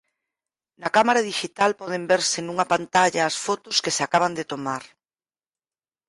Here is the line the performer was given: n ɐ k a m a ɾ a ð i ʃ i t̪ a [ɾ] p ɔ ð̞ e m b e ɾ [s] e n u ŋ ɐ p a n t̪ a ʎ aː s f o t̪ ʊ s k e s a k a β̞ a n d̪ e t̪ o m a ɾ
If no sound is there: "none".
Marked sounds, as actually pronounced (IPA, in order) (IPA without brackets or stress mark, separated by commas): l, s